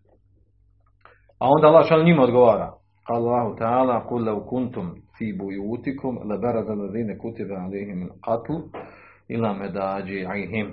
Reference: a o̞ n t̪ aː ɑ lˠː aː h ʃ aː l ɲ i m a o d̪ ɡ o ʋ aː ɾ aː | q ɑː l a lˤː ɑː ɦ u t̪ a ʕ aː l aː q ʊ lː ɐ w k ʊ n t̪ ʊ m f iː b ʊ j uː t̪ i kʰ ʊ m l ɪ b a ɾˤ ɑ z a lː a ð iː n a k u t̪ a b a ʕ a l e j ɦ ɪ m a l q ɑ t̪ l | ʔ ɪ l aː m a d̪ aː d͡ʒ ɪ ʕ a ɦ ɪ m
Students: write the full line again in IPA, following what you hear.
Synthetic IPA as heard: a o̞ n d̪ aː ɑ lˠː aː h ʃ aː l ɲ i m a o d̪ ɡ o ʋ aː ɾ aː | q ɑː l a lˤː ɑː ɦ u t̪ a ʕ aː l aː q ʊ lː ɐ w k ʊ n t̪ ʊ m f iː b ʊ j uː t̪ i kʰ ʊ m l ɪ b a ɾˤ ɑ z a lː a ð iː n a k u t̪ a b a ʕ a l e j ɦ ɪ m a l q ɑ t̪ l | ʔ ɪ l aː m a d̪ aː d͡ʒ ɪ ʕ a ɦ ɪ m